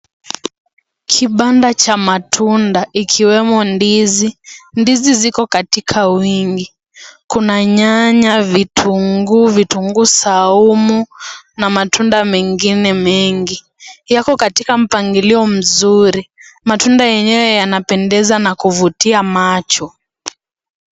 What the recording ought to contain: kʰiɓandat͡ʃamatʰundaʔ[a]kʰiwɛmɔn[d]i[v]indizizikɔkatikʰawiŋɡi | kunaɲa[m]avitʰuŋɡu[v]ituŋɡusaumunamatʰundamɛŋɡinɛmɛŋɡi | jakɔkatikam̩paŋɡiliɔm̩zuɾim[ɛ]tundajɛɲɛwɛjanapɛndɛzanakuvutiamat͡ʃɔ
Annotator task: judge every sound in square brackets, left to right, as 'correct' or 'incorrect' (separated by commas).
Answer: incorrect, correct, incorrect, incorrect, correct, incorrect